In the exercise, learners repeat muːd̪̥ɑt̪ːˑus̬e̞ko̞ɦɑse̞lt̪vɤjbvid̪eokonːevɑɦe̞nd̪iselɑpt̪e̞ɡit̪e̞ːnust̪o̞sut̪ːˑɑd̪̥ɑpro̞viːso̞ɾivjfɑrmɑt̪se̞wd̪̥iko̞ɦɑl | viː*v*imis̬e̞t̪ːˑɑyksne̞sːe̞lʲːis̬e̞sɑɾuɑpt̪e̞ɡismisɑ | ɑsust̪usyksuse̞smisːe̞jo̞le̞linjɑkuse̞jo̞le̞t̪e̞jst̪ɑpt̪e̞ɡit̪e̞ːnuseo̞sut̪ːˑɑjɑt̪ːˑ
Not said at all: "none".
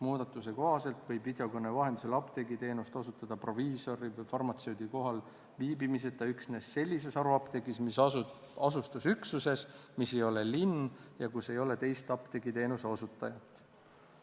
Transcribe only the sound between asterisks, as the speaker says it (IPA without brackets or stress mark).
b